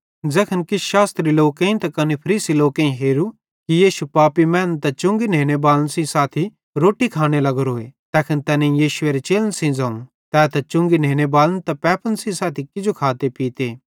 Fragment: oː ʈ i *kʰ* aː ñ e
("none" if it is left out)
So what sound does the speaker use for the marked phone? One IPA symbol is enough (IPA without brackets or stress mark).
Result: kʰ